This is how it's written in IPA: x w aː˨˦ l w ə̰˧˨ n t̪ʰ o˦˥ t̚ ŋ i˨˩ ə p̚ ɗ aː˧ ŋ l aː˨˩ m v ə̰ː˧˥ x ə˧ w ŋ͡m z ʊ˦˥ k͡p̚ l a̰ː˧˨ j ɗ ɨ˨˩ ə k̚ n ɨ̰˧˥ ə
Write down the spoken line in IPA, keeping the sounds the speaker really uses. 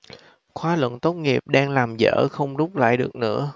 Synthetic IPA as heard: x w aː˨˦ l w ə̰˧˨ n t̪ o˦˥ t̚ ŋ i˨˩ ə p̚ ɗ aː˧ ŋ l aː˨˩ m z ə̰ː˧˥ x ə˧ w ŋ͡m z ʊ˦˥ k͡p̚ l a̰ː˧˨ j ɗ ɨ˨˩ ə k̚ n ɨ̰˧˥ ə